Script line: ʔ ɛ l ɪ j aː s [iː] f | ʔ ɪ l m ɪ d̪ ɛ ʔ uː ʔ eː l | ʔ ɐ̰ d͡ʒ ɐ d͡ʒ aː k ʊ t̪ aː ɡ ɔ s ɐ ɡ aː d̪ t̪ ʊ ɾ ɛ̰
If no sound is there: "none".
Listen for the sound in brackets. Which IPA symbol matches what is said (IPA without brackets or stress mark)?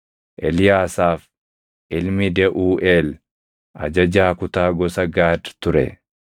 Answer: aː